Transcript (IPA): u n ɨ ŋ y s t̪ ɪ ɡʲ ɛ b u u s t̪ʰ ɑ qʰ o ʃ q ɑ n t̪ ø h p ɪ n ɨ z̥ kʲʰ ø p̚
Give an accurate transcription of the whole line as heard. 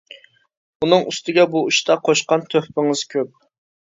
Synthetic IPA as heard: u n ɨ ŋ y s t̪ ɪ ɡʲ ɛ b u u ʃ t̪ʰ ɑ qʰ o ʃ q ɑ n t̪ʰ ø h p ɪ ŋ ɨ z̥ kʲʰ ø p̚